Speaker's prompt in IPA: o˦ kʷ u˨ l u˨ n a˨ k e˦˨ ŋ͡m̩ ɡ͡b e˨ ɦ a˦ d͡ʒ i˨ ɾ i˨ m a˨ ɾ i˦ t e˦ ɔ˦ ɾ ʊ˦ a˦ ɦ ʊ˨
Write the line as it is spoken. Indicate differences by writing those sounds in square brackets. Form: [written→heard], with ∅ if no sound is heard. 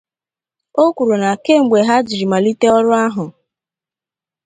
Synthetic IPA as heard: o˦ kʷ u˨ [l→ɾ] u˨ n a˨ k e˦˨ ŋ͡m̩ ɡ͡b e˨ ɦ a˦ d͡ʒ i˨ ɾ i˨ m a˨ [ɾ→l] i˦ t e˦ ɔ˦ ɾ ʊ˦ a˦ ɦ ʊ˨